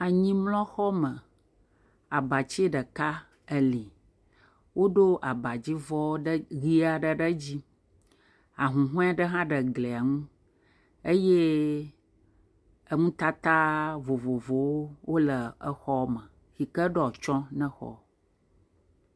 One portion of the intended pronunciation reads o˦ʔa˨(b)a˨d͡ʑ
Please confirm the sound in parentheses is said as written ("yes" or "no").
yes